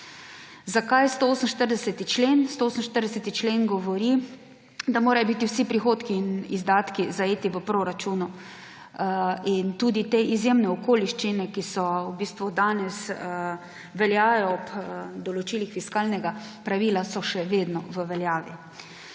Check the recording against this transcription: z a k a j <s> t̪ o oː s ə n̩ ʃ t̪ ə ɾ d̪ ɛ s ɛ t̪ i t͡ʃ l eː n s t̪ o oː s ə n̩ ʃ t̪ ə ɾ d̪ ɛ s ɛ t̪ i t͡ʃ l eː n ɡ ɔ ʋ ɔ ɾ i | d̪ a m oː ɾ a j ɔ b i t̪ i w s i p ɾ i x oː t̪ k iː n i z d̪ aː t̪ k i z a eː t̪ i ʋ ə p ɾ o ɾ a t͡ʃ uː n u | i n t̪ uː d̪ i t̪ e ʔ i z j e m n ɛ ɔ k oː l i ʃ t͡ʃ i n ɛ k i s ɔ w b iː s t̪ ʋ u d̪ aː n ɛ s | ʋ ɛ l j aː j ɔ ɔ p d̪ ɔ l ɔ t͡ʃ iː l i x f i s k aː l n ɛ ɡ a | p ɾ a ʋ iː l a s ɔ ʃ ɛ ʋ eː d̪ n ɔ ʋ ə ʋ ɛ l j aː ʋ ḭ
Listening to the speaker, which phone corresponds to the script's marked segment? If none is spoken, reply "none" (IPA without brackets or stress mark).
s